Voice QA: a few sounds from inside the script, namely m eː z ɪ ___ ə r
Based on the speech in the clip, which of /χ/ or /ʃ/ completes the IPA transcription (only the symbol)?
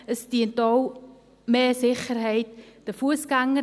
χ